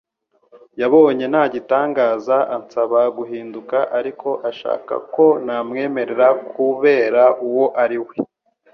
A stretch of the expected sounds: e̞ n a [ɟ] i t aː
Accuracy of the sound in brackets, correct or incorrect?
correct